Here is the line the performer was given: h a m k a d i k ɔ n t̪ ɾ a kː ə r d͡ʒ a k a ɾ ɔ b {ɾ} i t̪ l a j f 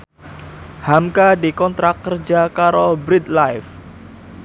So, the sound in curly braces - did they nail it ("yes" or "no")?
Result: yes